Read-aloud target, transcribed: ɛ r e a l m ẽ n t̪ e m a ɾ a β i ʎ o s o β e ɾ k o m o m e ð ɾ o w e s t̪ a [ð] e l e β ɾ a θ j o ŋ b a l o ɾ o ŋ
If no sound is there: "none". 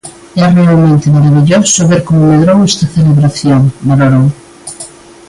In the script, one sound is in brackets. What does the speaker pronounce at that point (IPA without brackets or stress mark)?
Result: θ